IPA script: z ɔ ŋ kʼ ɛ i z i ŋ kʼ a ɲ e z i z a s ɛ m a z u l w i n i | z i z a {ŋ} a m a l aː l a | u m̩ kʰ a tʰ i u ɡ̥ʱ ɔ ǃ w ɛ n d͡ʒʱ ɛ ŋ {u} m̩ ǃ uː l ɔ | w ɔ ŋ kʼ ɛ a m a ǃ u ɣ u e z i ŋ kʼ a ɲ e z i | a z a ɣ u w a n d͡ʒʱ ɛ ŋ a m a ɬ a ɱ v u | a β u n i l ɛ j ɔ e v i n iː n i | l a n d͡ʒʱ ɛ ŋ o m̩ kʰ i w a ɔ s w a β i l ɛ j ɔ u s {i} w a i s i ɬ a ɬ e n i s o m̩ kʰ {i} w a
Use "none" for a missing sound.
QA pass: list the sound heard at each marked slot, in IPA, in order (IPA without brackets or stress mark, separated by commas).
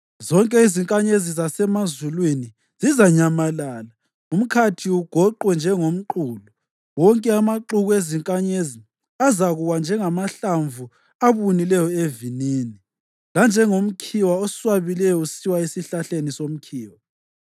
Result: ɲ, o, i, iː